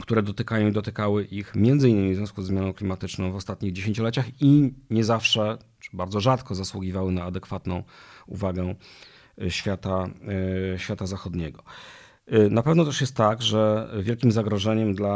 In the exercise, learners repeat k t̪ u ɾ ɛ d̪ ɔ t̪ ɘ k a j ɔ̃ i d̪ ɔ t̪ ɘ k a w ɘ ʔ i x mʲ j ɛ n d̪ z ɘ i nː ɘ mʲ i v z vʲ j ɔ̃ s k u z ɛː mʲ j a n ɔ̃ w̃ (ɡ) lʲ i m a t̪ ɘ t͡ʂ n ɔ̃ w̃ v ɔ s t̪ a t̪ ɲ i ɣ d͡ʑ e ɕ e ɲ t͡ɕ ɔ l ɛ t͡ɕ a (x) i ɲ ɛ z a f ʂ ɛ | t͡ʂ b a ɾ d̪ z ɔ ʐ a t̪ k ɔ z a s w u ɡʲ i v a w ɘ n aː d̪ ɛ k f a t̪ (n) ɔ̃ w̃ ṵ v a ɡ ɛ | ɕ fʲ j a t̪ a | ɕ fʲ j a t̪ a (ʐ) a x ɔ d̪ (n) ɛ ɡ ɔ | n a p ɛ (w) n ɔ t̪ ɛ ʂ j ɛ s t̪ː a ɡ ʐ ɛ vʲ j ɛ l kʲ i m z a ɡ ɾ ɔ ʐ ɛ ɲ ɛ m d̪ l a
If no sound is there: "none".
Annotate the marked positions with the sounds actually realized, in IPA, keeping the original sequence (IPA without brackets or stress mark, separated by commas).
k, x, n, z, ɲ, v